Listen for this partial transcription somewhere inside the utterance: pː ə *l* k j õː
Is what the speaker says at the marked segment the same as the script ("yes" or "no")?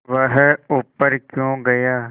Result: no